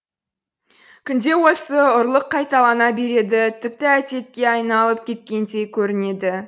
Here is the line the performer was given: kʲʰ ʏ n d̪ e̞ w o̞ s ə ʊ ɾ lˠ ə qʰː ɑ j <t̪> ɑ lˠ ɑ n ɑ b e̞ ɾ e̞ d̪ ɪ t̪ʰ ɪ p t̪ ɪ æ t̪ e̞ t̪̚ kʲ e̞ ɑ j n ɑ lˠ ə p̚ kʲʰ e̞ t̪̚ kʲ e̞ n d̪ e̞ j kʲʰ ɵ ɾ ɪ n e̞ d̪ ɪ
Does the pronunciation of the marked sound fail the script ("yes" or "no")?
no